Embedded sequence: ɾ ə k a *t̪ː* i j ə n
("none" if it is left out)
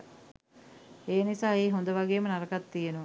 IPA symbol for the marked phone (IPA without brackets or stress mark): t̪ː